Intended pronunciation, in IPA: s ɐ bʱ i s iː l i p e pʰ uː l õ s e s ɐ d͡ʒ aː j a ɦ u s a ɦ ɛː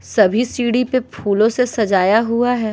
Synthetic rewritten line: s ɐ bʱ i s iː ɽ i p e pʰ uː l õ s e s ɐ d͡ʒ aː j a ɦ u a ɦ ɛː